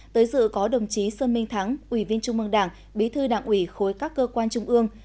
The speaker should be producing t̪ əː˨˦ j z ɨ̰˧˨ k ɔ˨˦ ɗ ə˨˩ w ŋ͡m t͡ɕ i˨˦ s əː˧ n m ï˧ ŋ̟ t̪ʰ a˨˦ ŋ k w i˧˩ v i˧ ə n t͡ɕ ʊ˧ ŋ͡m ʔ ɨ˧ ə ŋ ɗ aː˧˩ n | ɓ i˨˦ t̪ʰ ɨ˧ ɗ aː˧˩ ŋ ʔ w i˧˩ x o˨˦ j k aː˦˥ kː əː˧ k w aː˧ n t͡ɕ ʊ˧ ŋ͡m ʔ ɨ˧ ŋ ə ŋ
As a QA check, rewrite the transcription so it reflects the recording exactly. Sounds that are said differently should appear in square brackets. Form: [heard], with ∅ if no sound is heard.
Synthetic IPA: t̪ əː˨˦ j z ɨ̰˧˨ k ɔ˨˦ ɗ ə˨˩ w ŋ͡m t͡ɕ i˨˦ s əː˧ n m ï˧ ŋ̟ t̪ʰ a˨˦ ŋ [ʔ] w i˧˩ v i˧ ə n t͡ɕ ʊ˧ ŋ͡m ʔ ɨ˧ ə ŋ ɗ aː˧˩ [ŋ] | ɓ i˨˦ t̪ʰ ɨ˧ ɗ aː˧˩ ŋ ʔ w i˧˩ x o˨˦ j k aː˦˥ kː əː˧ k w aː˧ n t͡ɕ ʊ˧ ŋ͡m ʔ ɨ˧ [∅] ə ŋ